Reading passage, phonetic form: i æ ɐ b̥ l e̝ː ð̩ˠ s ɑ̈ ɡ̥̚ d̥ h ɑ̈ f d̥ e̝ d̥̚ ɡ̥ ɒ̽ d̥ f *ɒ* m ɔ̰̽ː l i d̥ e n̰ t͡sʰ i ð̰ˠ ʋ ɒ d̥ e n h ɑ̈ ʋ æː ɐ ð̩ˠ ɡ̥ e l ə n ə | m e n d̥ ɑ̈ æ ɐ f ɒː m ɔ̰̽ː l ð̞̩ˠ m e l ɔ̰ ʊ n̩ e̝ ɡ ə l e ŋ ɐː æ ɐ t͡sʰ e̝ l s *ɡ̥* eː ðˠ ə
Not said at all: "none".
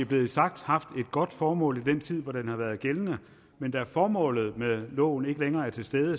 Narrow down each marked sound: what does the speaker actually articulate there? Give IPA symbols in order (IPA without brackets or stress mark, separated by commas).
ɒː, d̥